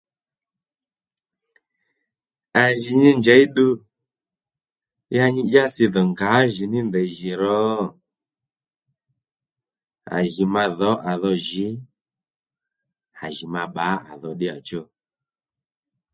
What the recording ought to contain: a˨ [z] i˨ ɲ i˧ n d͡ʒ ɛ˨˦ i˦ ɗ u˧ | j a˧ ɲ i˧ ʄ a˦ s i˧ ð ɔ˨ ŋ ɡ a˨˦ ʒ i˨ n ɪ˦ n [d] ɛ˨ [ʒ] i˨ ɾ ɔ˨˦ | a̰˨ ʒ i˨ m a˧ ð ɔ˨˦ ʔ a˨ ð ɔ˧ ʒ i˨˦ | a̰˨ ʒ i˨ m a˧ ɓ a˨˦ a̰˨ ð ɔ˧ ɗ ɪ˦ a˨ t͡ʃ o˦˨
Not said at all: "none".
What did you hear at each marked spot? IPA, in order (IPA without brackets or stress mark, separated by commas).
ʒ, d, ʒ